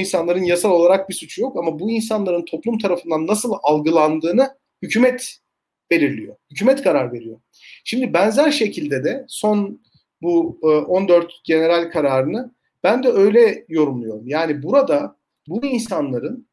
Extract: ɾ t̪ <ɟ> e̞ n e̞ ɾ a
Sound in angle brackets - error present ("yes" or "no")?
no